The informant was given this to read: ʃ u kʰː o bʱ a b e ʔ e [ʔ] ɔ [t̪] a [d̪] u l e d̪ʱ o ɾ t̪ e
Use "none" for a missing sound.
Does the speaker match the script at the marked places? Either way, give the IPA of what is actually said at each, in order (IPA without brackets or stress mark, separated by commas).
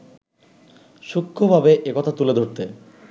k, t̪ʰ, t̪